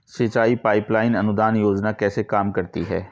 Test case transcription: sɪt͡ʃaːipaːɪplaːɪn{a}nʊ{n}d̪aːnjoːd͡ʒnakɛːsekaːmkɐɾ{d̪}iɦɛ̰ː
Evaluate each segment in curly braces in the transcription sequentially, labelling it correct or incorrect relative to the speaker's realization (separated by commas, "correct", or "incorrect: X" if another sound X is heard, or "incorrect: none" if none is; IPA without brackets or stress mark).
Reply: incorrect: ɐ, incorrect: none, incorrect: t̪